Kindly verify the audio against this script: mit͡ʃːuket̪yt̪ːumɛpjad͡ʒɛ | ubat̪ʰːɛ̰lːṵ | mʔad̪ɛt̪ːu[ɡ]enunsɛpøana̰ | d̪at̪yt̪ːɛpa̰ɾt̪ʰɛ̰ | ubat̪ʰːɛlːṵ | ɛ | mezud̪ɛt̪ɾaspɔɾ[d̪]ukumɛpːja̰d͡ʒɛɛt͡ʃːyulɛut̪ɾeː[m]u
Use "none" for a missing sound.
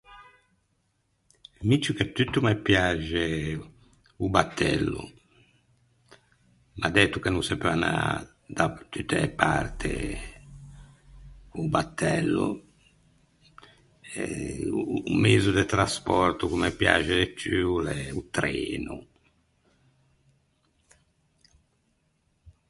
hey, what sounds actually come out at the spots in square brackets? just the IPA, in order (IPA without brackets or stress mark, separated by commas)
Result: k, t̪, n